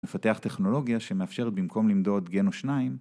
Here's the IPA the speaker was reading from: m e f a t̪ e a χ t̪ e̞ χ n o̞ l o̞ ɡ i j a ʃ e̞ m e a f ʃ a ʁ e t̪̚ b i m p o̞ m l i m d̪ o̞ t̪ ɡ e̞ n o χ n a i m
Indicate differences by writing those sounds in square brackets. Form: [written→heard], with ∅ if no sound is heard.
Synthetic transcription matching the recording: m e f a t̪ e a χ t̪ e̞ χ n o̞ l o̞ ɡ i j a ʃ e̞ m e a f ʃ [a→e] ʁ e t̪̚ b i m [p→k] o̞ m l i m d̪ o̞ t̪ ɡ e̞ n o [χ→ʃ] n a i m